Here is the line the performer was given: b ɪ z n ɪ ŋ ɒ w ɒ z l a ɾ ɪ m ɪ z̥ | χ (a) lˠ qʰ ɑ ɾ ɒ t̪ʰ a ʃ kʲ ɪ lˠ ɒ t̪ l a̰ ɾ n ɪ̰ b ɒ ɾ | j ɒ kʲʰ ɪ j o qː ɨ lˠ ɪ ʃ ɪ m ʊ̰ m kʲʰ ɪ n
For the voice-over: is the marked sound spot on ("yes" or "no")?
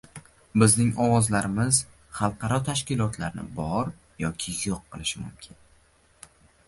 no